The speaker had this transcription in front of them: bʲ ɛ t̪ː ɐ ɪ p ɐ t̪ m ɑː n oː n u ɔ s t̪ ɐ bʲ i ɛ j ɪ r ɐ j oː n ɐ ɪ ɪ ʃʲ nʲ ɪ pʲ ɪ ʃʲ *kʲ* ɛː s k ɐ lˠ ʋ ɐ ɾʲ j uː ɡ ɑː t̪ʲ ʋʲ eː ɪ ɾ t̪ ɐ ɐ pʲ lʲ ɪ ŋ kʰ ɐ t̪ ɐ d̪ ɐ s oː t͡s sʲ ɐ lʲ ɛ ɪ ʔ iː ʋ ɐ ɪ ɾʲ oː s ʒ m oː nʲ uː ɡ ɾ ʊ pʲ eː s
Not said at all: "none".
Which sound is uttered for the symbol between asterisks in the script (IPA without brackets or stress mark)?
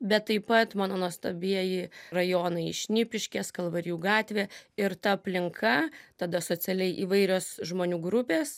kʲ